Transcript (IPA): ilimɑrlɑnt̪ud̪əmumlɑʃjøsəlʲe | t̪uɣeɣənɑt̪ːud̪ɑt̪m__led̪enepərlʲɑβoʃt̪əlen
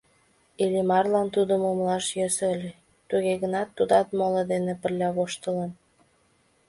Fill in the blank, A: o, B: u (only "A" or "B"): A